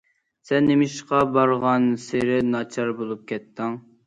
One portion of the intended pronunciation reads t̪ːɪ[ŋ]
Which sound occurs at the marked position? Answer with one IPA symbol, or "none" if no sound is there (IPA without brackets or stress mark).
ŋ